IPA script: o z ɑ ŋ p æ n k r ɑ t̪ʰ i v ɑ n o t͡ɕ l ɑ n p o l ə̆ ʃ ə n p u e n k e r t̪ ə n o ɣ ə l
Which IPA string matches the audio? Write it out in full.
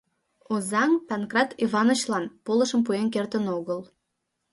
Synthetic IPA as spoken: o z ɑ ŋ p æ n k r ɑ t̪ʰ i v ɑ n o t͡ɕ l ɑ n p o l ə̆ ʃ ə m p u e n k e r t̪ ə n o ɣ ə l